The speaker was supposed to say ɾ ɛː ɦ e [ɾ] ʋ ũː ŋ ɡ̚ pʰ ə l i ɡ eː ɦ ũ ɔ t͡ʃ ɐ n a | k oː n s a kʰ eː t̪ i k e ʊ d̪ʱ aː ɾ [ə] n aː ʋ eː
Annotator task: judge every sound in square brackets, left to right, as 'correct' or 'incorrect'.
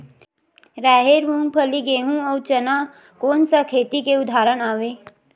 correct, correct

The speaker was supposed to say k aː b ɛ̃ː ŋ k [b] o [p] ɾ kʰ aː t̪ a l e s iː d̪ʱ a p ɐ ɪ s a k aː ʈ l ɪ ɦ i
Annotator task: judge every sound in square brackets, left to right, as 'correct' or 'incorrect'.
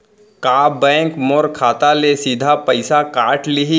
incorrect, incorrect

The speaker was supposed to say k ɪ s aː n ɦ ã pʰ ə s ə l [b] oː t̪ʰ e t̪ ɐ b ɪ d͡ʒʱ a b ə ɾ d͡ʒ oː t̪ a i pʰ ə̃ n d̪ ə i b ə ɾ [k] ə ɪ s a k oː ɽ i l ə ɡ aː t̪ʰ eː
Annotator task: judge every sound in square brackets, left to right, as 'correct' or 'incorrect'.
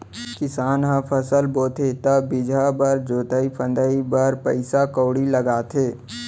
correct, incorrect

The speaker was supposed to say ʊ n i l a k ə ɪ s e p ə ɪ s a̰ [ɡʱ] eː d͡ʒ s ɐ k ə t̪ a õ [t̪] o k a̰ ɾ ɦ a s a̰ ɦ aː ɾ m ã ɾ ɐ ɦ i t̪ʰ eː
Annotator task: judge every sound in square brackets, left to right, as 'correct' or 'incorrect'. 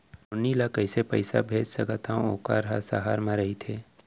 incorrect, incorrect

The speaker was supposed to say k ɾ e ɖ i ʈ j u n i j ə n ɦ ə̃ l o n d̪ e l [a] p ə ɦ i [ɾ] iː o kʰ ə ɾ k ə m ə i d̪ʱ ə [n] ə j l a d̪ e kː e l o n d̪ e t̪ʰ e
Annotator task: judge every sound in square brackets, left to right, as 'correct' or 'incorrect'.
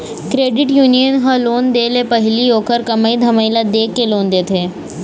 incorrect, incorrect, incorrect

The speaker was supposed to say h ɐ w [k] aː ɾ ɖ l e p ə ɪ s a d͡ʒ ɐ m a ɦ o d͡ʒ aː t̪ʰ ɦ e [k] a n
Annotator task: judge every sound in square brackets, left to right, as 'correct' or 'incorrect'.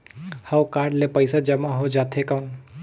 correct, correct

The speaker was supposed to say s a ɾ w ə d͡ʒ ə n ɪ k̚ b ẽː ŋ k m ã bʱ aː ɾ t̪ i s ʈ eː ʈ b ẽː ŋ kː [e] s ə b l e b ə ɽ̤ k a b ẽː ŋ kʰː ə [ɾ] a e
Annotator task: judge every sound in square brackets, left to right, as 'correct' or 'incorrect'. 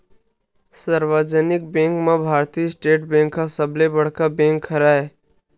incorrect, correct

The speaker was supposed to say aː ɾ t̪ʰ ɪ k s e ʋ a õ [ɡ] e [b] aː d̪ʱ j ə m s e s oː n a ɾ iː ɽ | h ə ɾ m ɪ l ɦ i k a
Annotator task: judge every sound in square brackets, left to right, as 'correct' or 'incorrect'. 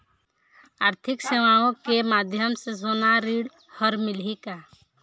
incorrect, incorrect

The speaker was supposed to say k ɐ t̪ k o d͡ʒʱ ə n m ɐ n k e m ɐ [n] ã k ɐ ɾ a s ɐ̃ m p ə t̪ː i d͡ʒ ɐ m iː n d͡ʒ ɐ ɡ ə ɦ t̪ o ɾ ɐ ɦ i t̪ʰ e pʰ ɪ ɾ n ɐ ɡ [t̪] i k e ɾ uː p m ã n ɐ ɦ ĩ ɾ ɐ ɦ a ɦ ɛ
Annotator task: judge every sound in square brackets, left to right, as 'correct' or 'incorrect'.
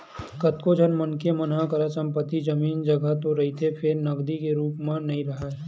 correct, incorrect

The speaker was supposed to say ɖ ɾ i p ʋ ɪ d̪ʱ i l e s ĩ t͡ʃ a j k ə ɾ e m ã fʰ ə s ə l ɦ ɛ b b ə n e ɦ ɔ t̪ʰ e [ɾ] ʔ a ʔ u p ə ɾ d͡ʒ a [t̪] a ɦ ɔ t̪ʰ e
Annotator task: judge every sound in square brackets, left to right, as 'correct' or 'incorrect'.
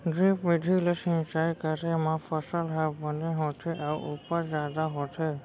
incorrect, incorrect

